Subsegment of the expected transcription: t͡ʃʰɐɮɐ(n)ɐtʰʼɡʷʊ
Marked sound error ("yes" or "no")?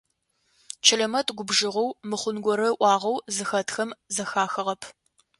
yes